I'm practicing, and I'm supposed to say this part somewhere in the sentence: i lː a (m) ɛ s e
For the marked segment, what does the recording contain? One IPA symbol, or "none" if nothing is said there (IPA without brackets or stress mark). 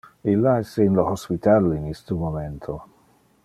none